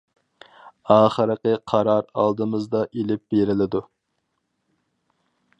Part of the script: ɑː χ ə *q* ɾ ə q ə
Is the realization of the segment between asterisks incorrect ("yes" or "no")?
yes